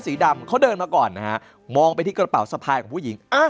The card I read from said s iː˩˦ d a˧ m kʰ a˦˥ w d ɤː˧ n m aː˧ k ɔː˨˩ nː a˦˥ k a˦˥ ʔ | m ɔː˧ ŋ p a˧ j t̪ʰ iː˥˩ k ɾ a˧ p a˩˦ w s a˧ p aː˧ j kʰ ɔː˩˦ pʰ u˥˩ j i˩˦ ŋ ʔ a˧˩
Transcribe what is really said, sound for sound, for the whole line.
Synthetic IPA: s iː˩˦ d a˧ m kʰ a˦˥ w d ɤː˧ n m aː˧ k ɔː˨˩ nː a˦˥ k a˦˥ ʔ | m ɔː˧ ŋ p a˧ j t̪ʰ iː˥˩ k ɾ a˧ p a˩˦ w s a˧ pʰ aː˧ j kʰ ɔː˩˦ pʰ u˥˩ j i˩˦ ŋ ʔ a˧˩